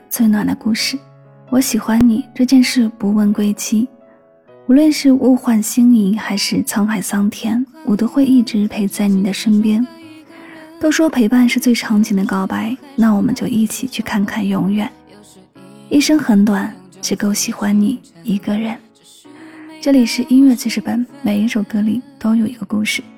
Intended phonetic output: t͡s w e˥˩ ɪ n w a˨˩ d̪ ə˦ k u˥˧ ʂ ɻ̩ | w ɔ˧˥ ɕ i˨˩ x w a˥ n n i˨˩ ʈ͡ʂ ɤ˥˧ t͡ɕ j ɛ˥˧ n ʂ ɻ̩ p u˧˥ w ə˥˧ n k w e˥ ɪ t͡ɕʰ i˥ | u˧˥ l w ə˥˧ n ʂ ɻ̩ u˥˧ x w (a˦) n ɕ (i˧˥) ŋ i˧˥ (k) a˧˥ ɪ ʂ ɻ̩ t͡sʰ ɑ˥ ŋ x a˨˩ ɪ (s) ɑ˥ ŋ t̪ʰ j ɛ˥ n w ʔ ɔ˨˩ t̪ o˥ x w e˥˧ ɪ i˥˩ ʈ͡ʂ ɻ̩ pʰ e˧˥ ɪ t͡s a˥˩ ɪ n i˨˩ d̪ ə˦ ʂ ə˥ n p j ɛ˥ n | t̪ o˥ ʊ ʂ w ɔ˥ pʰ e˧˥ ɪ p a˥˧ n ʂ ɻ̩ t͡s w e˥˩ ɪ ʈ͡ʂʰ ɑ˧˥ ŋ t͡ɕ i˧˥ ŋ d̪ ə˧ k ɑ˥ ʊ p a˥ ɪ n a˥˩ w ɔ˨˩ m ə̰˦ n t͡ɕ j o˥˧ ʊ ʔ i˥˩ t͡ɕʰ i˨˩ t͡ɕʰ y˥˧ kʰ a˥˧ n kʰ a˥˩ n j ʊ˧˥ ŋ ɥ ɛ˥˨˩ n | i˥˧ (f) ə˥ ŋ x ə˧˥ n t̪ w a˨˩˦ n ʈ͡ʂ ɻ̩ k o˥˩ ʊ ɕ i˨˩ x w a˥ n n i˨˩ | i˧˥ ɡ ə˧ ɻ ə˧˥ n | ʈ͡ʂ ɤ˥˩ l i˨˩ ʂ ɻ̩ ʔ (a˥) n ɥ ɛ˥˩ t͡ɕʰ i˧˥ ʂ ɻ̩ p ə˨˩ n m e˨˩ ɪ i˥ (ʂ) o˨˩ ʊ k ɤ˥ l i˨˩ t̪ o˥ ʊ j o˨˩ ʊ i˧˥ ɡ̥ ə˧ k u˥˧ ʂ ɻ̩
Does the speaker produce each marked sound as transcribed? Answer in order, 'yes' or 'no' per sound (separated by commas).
no, no, no, yes, no, no, yes